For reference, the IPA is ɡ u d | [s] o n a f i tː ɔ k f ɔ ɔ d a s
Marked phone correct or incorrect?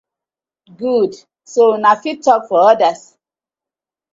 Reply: correct